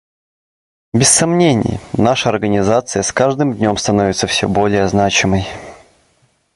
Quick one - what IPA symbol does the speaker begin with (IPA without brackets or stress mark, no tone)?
bʲ